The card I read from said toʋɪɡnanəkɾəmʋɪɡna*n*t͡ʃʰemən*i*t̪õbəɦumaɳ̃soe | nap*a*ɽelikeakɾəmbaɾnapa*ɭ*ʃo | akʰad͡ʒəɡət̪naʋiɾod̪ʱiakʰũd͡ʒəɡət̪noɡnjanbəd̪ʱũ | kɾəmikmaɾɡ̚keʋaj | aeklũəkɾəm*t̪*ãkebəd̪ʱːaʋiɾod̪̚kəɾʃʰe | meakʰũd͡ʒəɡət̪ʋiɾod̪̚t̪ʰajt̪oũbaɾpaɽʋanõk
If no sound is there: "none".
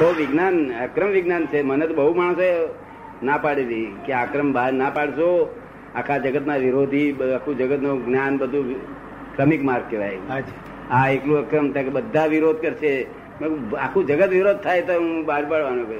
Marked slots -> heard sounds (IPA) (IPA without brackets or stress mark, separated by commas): n, e, a, ɽ, t̪